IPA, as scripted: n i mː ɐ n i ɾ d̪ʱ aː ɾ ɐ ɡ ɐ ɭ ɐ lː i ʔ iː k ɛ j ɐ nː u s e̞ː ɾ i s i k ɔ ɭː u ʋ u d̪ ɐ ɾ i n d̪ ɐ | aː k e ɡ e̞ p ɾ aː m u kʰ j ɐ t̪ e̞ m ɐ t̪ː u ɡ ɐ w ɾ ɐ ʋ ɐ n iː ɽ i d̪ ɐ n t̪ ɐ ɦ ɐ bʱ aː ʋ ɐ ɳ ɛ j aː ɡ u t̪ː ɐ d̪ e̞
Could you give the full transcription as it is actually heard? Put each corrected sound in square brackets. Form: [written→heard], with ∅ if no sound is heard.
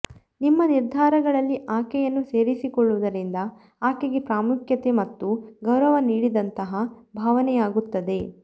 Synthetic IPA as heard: n i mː ɐ n i ɾ d̪ʱ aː ɾ ɐ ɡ ɐ ɭ ɐ lː i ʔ [iː→aː] k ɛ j ɐ nː u s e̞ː ɾ i s i k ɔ ɭː u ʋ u d̪ ɐ ɾ i n d̪ ɐ | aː k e ɡ e̞ p ɾ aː m u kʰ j ɐ t̪ e̞ m ɐ t̪ː u ɡ ɐ w ɾ ɐ ʋ ɐ n iː ɽ i d̪ ɐ n t̪ ɐ ɦ ɐ bʱ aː ʋ ɐ [ɳ→n] ɛ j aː ɡ u t̪ː ɐ d̪ e̞